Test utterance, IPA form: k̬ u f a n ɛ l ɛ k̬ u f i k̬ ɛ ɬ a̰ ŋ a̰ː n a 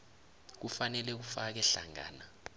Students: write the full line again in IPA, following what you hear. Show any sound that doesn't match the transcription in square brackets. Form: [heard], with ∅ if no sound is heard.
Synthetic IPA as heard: k̬ u f a n ɛ l ɛ k̬ u f [a] k̬ ɛ ɬ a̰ ŋ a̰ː n a